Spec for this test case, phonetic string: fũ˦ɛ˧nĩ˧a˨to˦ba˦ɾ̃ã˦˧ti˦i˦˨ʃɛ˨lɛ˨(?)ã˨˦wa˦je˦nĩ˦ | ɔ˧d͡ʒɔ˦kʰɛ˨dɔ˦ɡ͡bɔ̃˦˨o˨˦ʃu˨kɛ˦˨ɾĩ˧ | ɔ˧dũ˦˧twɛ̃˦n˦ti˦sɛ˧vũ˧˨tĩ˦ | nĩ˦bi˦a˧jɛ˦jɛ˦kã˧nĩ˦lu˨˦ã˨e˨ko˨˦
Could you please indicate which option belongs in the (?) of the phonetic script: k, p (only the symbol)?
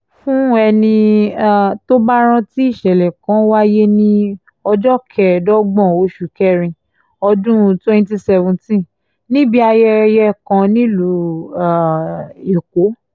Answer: k